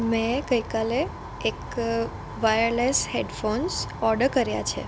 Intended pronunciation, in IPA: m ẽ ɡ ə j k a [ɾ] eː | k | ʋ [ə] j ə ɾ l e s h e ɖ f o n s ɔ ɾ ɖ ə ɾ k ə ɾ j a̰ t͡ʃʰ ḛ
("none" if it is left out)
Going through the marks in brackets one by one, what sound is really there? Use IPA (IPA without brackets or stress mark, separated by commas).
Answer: l, a